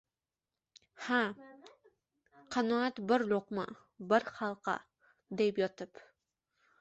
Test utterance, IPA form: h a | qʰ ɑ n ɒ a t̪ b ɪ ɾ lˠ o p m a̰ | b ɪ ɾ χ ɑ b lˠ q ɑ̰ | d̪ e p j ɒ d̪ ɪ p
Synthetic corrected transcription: h a | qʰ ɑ n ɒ a t̪ b ɪ ɾ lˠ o q m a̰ | b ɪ ɾ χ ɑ lˠ q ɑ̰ | d̪ e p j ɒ t̪ ɪ p